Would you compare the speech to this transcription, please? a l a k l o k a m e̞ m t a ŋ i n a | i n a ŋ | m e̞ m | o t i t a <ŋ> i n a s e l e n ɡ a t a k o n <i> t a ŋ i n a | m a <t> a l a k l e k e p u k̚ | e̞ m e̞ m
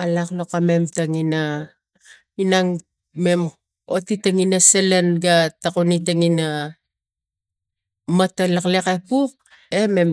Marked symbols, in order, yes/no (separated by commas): yes, yes, yes